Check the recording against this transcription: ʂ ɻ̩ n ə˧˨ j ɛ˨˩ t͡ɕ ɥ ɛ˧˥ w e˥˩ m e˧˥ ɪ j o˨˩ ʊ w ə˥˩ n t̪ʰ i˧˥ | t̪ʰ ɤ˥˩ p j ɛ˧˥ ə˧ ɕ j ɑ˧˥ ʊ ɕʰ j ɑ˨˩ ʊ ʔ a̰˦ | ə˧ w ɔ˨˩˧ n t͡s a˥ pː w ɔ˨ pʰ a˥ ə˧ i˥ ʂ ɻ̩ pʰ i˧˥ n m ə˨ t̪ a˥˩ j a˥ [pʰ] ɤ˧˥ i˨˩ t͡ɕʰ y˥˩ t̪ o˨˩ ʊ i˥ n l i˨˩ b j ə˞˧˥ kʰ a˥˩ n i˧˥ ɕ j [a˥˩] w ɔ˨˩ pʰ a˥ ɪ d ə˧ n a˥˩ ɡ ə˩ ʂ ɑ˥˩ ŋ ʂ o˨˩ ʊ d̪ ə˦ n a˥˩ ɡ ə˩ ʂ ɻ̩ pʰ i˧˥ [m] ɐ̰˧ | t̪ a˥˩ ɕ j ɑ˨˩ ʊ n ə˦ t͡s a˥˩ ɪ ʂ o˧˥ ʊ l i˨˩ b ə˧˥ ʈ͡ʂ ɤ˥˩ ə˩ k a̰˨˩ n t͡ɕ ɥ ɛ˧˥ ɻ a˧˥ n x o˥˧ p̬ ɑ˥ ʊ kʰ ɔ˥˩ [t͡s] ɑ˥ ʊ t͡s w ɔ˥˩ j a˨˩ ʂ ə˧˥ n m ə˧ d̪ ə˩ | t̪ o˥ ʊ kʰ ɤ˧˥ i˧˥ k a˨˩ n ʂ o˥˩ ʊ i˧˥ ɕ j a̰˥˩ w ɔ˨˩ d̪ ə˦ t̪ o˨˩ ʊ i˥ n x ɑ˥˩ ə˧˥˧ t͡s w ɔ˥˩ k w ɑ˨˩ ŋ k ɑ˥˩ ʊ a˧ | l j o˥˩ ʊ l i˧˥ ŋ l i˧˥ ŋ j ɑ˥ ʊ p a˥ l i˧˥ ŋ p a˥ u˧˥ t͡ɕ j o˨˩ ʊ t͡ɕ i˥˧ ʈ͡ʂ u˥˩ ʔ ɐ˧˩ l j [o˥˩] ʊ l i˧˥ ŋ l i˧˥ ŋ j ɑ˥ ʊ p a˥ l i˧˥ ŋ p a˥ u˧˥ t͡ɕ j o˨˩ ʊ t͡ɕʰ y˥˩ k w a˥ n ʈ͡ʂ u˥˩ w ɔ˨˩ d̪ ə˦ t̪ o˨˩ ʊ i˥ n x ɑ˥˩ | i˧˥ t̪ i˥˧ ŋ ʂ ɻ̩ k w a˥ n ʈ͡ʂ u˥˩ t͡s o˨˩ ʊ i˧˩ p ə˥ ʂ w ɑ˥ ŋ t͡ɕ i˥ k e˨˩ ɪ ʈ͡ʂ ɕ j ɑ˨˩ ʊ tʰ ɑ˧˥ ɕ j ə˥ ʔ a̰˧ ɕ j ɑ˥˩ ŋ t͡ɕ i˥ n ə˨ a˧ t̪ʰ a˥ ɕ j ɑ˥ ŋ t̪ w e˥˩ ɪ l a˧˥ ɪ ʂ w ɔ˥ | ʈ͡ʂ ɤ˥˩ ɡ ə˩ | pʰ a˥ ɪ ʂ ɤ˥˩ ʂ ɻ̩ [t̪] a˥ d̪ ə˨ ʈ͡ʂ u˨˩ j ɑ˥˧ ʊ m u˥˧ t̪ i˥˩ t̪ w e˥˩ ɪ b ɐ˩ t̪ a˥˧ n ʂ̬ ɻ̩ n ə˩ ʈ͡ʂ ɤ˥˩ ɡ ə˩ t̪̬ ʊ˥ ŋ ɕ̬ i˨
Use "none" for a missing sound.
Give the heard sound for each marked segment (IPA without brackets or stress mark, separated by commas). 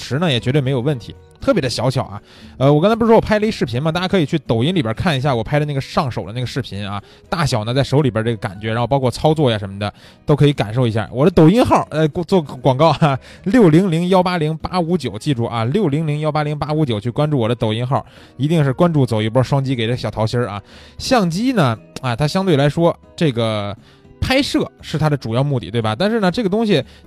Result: kʰ, a˥˩, n, t͡sʰ, o˥˩, t̪ʰ